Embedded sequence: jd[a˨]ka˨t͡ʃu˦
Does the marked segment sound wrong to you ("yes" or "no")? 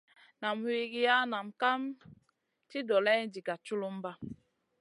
yes